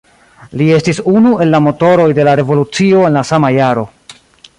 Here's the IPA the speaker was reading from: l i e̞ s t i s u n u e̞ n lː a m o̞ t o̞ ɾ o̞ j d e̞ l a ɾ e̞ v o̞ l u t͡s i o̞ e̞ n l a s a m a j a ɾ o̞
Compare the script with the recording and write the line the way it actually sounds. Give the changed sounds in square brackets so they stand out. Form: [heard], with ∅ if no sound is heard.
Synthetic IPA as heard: l i e̞ s t i s u n u e̞ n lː a m o̞ t o̞ ɾ o̞ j d e̞ l a ɾ e̞ v o̞ l u t͡s i o̞ e̞ n l a s a m a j a ɾ o̞